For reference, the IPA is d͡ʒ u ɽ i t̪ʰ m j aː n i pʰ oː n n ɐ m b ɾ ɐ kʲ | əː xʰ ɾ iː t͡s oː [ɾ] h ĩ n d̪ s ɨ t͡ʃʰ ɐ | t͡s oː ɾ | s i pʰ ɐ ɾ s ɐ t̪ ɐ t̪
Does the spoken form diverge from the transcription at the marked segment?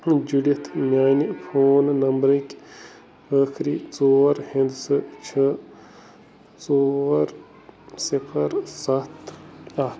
no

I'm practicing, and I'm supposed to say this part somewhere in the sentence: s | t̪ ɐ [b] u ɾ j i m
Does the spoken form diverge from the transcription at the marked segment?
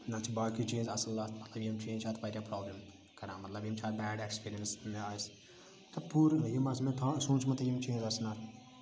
yes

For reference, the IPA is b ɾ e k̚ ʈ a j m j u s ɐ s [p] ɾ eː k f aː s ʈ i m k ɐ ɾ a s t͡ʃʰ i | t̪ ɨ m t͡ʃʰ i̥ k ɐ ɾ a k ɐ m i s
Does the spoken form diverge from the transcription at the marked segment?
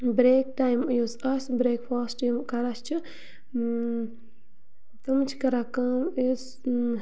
yes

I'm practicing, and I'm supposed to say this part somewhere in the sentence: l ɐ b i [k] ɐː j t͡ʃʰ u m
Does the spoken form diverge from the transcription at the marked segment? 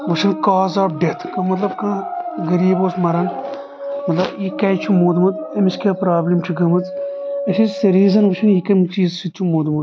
no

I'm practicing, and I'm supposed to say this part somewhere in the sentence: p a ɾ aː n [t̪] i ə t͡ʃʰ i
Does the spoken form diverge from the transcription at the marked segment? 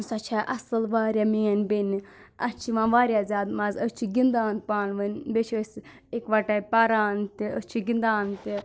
no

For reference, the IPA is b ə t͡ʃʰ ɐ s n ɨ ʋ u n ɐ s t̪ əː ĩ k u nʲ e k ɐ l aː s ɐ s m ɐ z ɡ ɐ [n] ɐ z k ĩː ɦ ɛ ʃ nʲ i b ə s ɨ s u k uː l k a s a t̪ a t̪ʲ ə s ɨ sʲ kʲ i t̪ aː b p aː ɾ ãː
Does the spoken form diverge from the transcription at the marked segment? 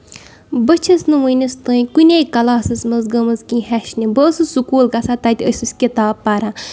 yes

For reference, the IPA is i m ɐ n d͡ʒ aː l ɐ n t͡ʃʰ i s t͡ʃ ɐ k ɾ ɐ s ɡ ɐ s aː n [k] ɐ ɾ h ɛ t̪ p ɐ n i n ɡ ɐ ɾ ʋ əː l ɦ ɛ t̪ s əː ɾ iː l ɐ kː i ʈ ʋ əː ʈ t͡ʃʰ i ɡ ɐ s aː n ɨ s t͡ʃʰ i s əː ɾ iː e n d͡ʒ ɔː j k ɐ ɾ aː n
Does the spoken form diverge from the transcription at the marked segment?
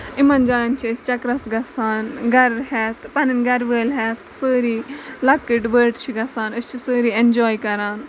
yes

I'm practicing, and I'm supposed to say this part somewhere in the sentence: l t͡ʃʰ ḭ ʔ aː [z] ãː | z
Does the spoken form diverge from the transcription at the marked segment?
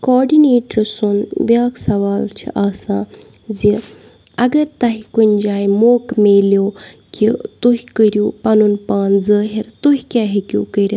yes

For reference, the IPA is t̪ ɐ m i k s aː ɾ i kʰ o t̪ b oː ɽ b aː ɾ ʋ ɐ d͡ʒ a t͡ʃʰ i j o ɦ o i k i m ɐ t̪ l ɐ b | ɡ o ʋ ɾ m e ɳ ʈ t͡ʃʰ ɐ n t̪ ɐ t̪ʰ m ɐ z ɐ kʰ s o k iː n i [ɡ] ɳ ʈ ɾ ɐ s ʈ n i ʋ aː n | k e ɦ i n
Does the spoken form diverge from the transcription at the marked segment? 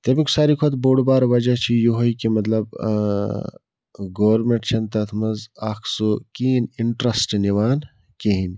yes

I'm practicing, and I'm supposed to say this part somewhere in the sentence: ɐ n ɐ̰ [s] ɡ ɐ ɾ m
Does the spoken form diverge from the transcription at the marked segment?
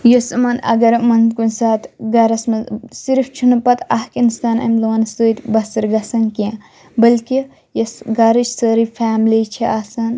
yes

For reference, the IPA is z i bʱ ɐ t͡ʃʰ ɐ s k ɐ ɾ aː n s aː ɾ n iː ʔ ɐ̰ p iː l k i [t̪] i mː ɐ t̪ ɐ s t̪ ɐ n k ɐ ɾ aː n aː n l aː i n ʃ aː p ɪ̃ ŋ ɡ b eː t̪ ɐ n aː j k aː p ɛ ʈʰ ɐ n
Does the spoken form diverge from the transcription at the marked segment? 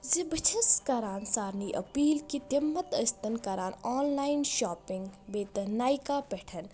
no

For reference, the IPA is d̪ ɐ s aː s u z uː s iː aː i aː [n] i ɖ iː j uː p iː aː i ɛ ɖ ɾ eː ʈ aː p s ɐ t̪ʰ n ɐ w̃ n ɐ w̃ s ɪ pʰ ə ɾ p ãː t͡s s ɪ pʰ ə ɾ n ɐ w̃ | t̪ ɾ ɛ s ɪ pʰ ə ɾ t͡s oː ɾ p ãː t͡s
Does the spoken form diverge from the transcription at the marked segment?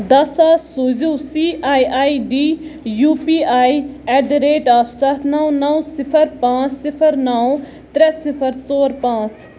yes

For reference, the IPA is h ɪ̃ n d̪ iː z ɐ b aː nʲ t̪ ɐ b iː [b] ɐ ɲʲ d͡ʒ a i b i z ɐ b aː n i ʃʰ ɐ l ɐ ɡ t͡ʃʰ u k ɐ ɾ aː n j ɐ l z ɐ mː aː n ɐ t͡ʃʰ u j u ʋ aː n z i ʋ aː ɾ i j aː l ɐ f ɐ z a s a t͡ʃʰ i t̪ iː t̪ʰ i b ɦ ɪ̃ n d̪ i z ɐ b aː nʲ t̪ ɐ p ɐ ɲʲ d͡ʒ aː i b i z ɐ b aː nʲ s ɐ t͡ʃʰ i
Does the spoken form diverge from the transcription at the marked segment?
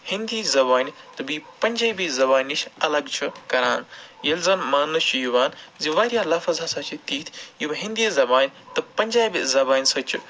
yes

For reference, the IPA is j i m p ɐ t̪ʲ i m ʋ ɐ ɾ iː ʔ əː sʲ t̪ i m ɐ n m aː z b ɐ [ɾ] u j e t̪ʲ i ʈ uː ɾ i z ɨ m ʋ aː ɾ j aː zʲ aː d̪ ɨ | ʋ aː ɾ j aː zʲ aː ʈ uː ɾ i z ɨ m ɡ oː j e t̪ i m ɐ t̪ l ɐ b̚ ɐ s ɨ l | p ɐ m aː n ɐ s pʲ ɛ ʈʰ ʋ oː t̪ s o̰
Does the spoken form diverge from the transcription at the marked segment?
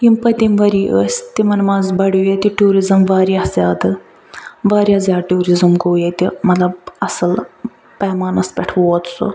yes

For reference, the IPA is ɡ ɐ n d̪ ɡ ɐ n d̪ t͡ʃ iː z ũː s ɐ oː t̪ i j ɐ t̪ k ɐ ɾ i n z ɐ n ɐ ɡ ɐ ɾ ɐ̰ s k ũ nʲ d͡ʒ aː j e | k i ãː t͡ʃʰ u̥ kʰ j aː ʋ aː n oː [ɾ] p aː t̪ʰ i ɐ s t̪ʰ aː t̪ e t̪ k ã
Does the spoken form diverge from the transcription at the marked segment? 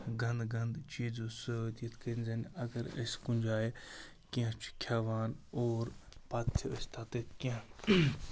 no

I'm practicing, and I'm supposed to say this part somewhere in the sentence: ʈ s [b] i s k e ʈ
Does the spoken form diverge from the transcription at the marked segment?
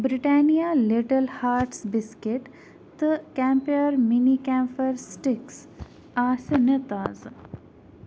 no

